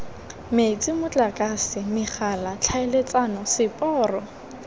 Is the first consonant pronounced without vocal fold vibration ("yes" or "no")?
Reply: no